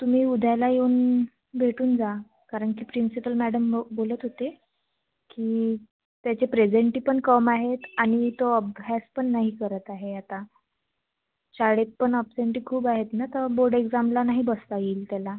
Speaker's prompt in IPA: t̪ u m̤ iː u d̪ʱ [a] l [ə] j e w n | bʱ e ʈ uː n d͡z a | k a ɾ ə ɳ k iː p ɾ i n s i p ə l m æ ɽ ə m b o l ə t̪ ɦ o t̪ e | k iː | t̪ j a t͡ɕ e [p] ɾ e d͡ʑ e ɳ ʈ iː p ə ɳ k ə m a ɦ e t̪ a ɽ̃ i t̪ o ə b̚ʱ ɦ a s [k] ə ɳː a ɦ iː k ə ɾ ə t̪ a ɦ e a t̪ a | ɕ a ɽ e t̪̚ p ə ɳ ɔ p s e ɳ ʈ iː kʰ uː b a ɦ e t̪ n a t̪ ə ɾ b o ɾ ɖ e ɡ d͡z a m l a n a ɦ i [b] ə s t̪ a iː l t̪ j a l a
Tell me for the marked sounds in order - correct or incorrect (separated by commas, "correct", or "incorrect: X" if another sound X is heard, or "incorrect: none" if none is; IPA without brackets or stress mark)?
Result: correct, incorrect: a, correct, incorrect: p, correct